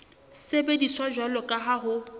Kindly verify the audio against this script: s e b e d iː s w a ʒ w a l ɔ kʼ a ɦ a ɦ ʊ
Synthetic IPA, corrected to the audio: s e b e d i s w a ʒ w a l ɔ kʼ a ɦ a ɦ ʊ